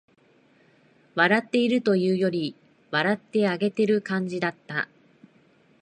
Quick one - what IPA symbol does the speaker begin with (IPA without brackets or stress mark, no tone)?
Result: β